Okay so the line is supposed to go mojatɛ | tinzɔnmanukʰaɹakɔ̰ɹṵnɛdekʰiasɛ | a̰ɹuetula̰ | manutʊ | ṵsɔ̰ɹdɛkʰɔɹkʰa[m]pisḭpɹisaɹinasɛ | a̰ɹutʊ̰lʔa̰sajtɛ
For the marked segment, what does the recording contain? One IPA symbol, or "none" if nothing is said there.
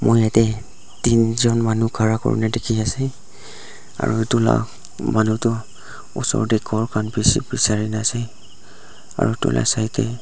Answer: n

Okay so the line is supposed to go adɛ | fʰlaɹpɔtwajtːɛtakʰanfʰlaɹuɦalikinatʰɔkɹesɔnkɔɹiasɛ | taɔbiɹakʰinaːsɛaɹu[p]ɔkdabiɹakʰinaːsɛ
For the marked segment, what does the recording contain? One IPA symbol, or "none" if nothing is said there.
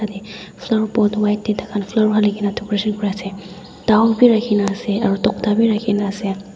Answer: t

